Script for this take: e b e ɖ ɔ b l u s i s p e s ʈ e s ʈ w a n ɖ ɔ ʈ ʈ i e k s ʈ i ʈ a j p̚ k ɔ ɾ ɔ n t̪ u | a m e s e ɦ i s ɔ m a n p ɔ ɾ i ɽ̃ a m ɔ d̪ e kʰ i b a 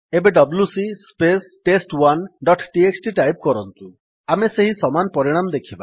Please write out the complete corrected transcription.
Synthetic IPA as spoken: e b e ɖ ɔ b l u s i s p e s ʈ e s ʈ w a n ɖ ɔ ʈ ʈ i e k s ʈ i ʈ a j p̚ k ɔ ɾ ɔ n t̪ u | a m e s e ɦ i s ɔ m a n p ɔ ɾ i ɽ̃ a m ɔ d̪ e kʰ i b a